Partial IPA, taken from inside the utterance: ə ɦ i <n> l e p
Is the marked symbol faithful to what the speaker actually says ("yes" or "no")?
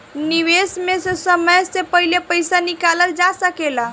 no